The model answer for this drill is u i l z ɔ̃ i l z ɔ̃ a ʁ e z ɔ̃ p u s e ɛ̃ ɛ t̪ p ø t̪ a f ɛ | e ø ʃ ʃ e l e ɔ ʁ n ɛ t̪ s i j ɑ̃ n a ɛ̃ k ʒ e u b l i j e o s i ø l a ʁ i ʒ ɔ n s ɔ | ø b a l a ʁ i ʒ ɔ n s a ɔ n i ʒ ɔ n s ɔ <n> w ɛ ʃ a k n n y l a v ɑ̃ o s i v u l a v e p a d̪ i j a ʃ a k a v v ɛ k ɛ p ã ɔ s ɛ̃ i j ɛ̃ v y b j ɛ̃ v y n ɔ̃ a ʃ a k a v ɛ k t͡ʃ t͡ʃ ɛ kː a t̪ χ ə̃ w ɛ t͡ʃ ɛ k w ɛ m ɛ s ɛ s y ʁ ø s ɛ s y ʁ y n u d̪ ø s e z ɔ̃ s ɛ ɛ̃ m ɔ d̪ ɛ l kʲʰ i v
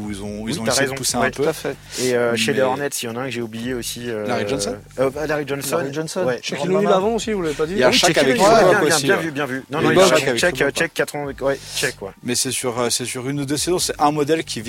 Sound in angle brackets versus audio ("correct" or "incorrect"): correct